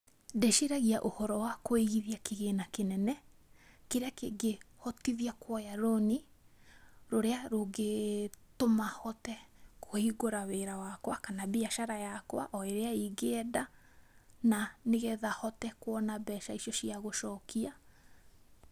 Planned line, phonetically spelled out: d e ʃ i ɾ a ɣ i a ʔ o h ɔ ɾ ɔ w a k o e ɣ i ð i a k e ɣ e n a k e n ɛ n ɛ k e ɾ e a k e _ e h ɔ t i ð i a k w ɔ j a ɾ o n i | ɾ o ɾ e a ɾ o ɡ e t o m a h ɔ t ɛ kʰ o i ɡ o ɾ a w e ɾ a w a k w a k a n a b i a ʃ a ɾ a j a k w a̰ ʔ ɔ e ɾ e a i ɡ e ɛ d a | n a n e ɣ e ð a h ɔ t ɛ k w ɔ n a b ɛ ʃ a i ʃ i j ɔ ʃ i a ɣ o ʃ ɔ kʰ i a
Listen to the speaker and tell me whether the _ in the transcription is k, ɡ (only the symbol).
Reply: ɡ